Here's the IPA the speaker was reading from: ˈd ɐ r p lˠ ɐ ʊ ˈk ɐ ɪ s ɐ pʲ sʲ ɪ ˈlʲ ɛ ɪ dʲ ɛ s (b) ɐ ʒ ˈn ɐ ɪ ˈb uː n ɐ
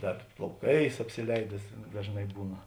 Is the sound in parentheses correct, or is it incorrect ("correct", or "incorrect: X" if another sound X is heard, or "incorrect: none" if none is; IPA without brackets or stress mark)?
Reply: incorrect: d